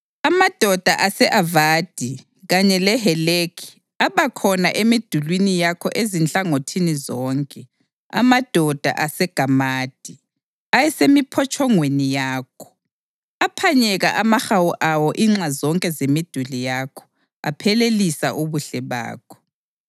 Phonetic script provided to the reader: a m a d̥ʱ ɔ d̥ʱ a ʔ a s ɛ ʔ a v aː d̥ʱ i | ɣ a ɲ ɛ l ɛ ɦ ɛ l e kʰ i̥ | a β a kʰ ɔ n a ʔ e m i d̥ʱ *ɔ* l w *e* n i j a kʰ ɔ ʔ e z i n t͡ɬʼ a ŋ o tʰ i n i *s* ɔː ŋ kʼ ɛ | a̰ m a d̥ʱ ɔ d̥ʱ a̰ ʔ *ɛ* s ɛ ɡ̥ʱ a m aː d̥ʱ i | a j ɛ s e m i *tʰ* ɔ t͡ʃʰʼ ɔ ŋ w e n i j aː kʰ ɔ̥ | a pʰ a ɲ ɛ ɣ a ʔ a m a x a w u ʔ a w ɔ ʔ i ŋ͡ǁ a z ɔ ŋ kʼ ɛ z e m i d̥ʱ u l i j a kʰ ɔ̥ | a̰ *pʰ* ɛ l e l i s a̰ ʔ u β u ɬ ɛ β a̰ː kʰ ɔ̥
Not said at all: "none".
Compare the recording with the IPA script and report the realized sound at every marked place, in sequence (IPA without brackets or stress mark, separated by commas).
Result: u, i, z, a, pʰ, pʰ